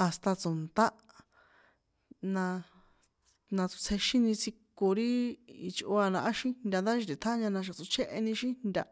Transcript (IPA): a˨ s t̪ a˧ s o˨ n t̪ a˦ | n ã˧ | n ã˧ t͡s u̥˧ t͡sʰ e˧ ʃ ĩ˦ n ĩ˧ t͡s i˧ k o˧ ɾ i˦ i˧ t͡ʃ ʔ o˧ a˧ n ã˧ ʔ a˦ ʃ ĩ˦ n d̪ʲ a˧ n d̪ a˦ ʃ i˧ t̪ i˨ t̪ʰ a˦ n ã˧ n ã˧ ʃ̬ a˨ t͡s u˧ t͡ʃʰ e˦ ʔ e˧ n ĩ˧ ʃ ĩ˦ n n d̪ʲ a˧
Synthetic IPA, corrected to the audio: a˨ s t̪ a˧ t͡s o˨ n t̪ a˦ | n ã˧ | n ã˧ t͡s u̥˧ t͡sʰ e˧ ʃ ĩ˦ n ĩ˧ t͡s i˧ k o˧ ɾ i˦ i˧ t͡ʃ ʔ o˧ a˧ n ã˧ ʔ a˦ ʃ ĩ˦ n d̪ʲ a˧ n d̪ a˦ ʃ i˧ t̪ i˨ t̪ʰ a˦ ɲ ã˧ n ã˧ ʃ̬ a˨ t͡s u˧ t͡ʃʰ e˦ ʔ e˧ n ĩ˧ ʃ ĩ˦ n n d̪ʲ a˧